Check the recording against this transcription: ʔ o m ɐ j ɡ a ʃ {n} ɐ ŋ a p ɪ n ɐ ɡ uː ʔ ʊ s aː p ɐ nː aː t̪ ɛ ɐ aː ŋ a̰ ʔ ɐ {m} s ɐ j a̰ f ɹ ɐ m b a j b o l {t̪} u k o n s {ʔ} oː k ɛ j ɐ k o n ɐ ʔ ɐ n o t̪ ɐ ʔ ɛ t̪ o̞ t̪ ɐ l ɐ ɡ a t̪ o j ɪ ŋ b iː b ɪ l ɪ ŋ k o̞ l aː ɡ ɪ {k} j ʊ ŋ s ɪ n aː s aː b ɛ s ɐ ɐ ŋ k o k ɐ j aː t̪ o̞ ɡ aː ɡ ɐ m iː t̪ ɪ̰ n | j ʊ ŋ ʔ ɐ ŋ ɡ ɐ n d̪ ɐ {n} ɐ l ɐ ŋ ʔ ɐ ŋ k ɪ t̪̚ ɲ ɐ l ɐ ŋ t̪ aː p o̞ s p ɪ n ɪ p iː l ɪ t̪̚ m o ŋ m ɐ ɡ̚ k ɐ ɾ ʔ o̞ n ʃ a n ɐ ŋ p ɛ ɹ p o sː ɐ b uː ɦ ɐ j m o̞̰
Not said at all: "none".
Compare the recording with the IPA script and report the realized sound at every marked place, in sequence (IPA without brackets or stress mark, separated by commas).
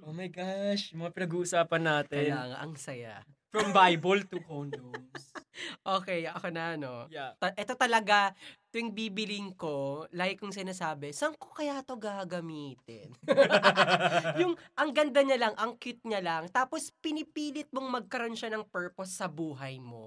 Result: m, ŋ, t̪, ʔ, k, ɲ